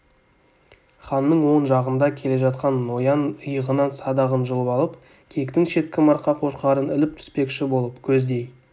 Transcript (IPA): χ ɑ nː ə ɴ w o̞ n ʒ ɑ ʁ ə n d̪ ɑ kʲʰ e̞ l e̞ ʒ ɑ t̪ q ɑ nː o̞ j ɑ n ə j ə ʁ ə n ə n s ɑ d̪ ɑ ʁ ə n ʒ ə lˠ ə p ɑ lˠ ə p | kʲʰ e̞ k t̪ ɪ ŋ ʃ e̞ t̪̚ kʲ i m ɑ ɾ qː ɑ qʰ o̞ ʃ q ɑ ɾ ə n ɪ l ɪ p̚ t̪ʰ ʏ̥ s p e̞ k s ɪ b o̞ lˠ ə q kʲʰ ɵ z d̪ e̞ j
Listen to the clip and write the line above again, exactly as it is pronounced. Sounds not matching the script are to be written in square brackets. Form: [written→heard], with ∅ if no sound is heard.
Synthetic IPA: χ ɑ nː ə ɴ w o̞ n ʒ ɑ ʁ ə n d̪ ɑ kʲʰ e̞ l e̞ ʒ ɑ t̪ q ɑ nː o̞ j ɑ n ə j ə ʁ ə n [ə→ɑ] n s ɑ d̪ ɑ ʁ ə n ʒ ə lˠ ə p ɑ lˠ ə p | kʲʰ e̞ k t̪ ɪ ŋ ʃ e̞ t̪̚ kʲ [i→ɪ] m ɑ ɾ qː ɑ qʰ o̞ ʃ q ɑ ɾ ə n ɪ l ɪ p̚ t̪ʰ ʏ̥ s p e̞ k [s→ʃ] ɪ b o̞ lˠ ə [q→p] kʲʰ ɵ z d̪ e̞ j